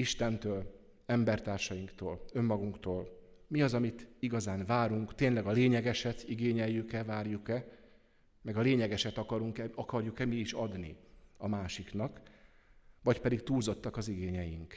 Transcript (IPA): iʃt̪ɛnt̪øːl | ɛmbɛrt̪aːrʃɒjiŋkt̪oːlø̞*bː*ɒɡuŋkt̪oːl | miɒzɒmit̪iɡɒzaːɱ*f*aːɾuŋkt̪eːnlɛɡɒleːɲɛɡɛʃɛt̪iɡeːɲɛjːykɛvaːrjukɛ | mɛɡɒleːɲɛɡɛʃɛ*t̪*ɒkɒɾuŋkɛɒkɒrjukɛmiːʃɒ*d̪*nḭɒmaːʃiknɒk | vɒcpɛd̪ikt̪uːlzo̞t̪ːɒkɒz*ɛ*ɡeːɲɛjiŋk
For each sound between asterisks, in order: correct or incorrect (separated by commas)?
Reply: incorrect, incorrect, correct, correct, incorrect